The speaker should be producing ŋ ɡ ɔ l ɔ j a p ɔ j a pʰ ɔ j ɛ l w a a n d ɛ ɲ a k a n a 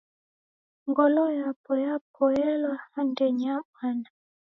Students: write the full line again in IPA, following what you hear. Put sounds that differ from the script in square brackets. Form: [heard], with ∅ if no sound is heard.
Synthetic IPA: ŋ ɡ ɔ l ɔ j a p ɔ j a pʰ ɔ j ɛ l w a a n d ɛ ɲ a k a n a